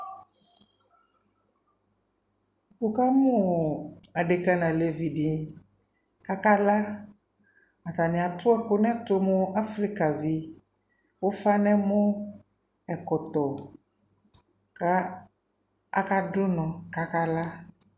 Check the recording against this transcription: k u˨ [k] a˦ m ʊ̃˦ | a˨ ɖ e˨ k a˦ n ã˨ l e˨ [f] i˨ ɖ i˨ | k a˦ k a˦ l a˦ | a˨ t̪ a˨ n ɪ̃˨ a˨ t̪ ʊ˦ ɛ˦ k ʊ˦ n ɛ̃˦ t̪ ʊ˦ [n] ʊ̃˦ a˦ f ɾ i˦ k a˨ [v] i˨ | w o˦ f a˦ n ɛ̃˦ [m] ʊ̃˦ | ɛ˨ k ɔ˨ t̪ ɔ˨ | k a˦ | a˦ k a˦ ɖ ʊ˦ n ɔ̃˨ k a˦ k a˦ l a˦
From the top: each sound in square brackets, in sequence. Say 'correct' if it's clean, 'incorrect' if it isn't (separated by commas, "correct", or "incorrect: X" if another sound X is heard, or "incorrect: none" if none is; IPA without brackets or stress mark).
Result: correct, incorrect: v, incorrect: m, correct, correct